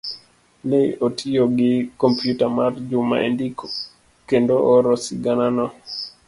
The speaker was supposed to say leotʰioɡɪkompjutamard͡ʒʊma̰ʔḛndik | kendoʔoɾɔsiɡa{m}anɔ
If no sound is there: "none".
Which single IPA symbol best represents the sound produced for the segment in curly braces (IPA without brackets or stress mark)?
n